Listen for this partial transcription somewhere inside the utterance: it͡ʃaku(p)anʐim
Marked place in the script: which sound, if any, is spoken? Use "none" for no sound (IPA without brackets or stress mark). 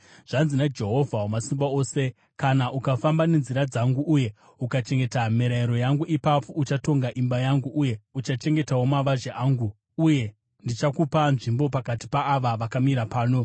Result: p